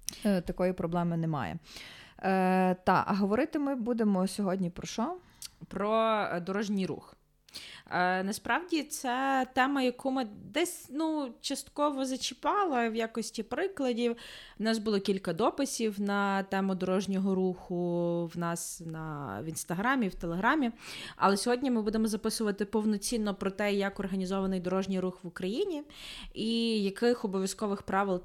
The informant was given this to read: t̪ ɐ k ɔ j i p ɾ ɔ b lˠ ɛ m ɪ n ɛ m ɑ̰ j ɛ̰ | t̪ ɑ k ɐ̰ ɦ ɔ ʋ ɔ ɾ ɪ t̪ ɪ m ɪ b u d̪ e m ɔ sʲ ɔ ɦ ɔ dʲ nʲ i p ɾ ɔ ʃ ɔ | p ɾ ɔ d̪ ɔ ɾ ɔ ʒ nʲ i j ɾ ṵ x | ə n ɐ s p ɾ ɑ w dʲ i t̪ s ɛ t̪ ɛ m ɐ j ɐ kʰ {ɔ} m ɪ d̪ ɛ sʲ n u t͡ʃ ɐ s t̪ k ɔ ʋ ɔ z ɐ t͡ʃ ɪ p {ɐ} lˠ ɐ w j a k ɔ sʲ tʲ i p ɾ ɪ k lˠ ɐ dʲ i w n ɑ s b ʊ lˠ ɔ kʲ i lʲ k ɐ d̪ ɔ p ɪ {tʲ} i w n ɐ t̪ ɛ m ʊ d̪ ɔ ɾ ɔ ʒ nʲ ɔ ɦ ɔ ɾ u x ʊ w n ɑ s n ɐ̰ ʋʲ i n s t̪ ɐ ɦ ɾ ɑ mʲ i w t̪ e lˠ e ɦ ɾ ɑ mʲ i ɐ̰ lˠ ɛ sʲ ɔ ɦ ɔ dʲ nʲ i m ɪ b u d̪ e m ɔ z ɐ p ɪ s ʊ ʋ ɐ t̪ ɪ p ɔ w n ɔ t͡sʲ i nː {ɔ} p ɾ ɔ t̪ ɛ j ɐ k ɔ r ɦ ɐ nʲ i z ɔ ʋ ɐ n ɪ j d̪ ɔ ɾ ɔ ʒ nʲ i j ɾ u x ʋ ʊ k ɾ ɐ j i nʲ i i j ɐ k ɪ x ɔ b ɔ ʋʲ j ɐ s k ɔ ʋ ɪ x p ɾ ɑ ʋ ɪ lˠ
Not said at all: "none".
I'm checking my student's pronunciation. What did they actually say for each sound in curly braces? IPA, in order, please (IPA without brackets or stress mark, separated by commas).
u, ɑ, sʲ, ɔ